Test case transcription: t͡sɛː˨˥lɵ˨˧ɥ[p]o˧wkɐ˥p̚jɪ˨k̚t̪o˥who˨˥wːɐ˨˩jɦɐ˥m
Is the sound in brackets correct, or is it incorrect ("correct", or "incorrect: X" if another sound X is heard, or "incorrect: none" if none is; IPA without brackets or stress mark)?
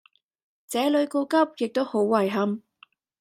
incorrect: k